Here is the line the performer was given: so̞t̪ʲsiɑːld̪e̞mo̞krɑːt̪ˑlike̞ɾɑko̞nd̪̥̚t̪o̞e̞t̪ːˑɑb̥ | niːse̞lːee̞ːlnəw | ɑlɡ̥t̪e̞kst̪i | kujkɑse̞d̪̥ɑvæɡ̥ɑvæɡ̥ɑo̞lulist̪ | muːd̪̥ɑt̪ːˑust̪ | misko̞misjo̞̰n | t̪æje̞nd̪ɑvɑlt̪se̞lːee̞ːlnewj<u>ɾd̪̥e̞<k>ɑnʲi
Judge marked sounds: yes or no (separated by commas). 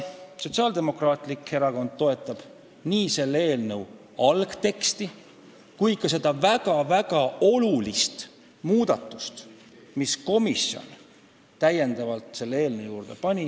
no, no